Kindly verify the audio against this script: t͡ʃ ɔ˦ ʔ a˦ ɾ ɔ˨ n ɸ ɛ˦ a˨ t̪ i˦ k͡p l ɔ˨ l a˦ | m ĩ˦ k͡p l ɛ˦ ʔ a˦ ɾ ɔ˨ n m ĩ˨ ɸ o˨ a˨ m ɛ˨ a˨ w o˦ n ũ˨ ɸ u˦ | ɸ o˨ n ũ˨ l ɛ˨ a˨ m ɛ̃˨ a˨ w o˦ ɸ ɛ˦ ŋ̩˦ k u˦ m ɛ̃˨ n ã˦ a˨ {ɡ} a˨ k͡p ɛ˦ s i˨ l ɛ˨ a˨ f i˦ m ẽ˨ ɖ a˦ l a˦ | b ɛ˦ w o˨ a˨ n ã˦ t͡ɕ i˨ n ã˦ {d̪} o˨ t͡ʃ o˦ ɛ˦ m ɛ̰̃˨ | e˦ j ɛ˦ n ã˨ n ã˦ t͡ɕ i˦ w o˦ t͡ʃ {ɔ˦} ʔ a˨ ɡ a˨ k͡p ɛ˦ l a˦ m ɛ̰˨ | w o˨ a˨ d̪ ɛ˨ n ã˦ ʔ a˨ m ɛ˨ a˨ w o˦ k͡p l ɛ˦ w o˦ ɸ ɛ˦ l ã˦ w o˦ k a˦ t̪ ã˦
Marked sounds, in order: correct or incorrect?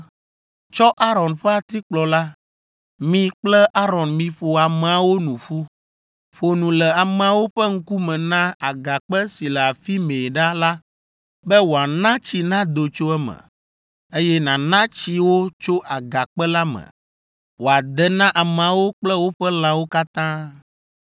correct, correct, incorrect: o˦

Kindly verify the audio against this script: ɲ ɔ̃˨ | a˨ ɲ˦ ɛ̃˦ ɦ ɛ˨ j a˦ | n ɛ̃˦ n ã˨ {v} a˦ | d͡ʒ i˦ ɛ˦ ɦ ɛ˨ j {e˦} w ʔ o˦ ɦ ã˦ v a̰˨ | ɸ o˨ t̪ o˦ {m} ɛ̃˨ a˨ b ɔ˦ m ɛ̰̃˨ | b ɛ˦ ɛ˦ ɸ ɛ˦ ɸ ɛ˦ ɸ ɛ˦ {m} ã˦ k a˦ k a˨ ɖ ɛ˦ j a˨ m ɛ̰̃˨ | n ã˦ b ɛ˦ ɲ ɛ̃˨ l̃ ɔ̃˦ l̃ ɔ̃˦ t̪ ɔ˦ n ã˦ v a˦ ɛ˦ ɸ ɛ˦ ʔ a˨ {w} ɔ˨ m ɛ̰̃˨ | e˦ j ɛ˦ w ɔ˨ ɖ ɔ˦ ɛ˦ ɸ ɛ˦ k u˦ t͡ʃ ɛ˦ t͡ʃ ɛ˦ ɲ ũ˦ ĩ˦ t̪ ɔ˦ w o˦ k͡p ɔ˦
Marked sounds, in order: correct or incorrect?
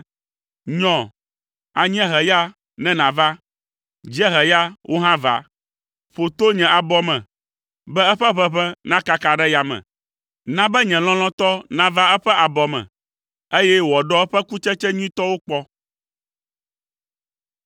correct, incorrect: a˦, incorrect: ɲ, incorrect: n, incorrect: b

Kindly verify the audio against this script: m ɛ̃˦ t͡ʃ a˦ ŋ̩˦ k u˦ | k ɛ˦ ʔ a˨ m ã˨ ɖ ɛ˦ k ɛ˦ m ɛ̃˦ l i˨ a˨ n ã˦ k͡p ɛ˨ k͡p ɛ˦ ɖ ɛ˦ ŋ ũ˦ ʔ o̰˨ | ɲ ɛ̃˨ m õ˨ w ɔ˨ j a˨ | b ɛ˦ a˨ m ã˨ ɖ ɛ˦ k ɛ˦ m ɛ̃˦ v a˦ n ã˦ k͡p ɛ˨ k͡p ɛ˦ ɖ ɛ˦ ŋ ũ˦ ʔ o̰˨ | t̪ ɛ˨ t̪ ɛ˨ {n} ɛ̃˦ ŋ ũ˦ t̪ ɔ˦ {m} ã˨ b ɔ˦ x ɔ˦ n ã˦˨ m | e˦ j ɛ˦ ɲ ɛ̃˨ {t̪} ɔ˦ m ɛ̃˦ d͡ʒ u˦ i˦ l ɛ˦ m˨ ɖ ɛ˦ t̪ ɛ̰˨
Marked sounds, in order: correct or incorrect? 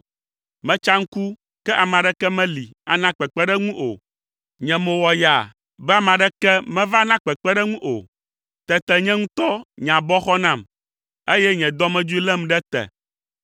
incorrect: ɲ, incorrect: ɲ, incorrect: d̪

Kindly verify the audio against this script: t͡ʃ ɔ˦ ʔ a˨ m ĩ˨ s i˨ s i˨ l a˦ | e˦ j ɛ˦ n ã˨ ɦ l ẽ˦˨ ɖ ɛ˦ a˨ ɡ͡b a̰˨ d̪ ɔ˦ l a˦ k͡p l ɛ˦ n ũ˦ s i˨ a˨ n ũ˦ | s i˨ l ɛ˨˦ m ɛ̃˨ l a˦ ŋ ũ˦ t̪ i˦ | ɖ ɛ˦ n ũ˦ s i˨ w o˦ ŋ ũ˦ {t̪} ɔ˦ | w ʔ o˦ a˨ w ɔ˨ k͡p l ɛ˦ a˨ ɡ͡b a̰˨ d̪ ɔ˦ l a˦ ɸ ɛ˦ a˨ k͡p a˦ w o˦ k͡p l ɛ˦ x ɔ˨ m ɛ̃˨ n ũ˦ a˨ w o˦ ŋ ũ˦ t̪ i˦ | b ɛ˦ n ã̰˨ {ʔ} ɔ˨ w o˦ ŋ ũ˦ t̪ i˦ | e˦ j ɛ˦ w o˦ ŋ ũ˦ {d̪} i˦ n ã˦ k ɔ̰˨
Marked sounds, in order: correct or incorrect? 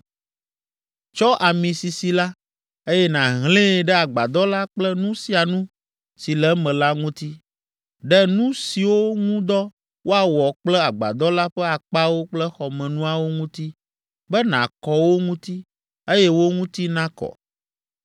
incorrect: d̪, incorrect: k, incorrect: t̪

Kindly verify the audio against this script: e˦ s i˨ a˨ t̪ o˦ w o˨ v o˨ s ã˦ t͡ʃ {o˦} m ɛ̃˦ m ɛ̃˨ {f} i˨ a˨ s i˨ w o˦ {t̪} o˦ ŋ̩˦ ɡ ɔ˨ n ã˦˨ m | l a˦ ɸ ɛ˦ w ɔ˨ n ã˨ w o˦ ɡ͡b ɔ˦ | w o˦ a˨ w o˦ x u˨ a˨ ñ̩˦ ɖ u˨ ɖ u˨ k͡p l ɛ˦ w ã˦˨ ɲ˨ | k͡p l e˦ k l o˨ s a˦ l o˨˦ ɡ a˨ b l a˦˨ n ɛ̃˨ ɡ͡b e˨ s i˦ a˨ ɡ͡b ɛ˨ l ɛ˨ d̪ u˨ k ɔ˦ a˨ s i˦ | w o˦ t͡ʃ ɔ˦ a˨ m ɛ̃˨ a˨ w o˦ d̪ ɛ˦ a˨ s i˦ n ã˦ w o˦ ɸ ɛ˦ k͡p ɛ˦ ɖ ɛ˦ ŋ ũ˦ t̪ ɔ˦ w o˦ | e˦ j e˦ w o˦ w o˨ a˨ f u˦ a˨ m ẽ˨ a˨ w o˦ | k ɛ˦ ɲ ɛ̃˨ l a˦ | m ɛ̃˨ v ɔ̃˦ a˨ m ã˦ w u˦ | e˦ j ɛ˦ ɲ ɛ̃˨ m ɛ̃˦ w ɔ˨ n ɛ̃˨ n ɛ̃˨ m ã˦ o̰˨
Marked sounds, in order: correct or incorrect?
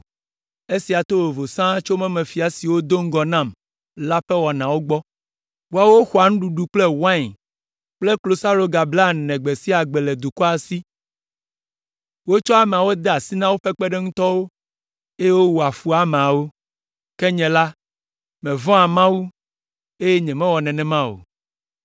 correct, correct, incorrect: d̪

